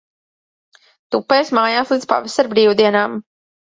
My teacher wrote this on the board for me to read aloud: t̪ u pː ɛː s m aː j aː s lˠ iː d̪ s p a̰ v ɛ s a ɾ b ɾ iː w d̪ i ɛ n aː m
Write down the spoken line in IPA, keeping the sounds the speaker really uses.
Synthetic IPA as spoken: t̪ u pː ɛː s m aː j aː s lˠ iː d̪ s p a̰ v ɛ s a ɾ b ɾ iː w d̪ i ɛ n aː m